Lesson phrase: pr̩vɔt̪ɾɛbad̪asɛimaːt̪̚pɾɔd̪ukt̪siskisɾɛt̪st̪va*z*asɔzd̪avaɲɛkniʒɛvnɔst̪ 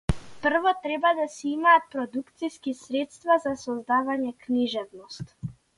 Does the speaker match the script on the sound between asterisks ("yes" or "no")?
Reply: yes